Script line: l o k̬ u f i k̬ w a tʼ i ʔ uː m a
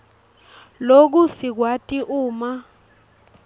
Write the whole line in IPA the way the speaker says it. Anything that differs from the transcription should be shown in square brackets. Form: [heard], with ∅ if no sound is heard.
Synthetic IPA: l o k̬ u [s] i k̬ w a tʼ i ʔ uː m a